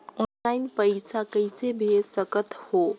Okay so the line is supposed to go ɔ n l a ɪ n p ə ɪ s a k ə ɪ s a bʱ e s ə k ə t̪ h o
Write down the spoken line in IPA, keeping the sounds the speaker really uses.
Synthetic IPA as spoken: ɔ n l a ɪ n p ə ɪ s a k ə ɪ s e bʱ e s ə k ə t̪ h o

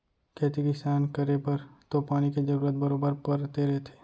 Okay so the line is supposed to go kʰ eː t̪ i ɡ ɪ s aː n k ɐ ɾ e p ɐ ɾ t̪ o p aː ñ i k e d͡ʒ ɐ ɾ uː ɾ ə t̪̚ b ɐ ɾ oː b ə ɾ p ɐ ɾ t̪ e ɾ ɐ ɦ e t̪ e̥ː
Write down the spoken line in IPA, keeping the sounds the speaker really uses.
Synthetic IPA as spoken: kʰ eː t̪ i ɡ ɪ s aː n k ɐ ɾ e p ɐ ɾ t̪ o p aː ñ i k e d͡ʒ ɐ ɾ uː ɾ ə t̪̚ b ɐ ɾ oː b ə ɾ p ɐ ɾ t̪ e ɾ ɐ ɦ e t̪ʰ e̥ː

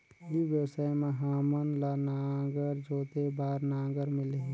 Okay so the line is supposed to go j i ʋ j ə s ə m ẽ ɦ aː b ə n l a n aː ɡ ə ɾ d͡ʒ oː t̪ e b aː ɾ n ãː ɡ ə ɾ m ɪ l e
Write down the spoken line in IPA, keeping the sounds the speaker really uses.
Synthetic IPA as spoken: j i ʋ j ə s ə m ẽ ɦ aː m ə n l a n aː ɡ ə ɾ d͡ʒ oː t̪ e b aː ɾ n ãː ɡ ə ɾ m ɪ l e

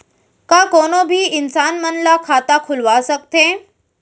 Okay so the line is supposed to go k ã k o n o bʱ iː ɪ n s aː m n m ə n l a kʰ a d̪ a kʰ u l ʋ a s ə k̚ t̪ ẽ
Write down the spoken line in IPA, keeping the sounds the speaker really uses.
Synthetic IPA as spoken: k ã k o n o bʱ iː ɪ n s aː n m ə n l a kʰ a t̪ a kʰ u l ʋ a s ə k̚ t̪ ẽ

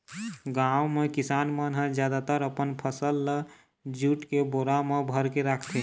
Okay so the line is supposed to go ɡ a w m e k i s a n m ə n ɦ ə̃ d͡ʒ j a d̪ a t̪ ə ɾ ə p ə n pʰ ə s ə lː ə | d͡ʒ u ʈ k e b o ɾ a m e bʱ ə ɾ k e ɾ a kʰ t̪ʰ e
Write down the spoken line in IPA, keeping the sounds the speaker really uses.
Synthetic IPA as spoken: ɡ a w m e k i s a n m ə n ɦ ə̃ d͡ʒ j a d̪ a t̪ ə ɾ ə p ə n pʰ ə s ə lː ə | d͡ʒ u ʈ k e b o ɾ a m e bʱ ə ɾ k e ɾ a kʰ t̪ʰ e

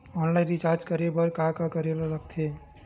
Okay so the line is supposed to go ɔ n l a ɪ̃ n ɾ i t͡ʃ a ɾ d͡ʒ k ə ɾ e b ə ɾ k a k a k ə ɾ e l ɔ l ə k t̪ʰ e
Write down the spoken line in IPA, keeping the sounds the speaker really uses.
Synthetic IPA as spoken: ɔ n l a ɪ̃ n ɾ i t͡ʃ a ɾ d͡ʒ k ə ɾ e b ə ɾ k a k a k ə ɾ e l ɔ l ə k t̪ʰ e

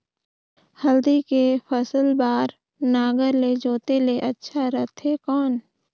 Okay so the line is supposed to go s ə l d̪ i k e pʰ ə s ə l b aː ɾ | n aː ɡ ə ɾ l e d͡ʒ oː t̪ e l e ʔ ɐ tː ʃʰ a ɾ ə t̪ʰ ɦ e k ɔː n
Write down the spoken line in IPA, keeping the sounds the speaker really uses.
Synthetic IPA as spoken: h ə l d̪ i k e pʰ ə s ə l b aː ɾ | n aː ɡ ə ɾ l e d͡ʒ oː t̪ e l e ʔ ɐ tː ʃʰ a ɾ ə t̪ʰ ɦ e k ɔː n

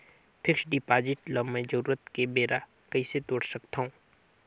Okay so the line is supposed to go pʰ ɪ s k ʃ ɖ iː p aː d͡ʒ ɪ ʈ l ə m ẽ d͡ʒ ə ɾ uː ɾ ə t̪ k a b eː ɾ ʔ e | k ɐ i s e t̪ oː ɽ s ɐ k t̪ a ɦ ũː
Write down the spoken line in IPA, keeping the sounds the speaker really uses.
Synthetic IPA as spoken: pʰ ɪ k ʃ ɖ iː p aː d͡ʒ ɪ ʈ l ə m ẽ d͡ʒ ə ɾ uː ɾ ə t̪ k e b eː ɾ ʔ a | k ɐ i s e t̪ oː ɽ s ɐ k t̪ a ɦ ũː

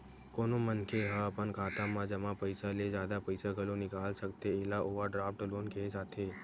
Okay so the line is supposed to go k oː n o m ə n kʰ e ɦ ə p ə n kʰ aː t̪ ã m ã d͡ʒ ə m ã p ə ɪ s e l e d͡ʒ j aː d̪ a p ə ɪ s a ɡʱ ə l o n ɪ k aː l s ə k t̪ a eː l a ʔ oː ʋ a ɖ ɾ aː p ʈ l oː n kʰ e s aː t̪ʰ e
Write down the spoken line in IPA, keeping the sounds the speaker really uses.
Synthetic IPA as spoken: k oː n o m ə n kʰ e ɦ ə p ə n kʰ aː t̪ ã m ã d͡ʒ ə m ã p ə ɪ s a l e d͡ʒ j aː d̪ a p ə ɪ s a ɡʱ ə l o n ɪ k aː l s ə k t̪ e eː l a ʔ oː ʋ a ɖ ɾ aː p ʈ l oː n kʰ e s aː t̪ʰ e

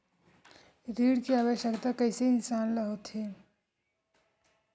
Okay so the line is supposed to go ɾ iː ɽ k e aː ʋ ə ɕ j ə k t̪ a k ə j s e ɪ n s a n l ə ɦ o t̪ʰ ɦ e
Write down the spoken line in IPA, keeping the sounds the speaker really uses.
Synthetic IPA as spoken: ɾ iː ɽ k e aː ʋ ə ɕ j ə k t̪ a k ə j s e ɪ n s a n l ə ɦ o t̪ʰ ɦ e

